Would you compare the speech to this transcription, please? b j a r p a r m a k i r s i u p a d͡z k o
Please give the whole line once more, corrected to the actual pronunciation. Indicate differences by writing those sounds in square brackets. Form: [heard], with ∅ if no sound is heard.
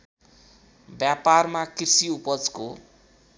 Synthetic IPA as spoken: b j a [∅] p a r m a k i r s i u p [ʌ] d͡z k o